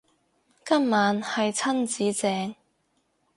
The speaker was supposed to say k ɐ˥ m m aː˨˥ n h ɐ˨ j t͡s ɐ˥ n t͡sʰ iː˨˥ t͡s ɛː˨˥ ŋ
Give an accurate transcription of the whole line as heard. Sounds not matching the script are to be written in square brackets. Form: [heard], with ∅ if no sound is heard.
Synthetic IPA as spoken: k ɐ˥ m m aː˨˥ n h ɐ˨ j [t͡sʰ] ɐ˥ n [t͡s] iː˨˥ t͡s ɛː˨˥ ŋ